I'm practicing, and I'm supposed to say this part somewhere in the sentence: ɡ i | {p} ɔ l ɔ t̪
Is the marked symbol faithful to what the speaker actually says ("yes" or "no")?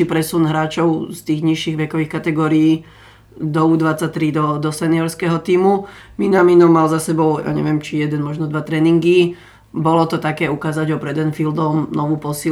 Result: no